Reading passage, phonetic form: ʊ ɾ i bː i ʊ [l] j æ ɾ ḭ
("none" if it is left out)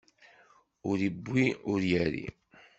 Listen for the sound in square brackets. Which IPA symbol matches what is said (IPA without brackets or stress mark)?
ɾ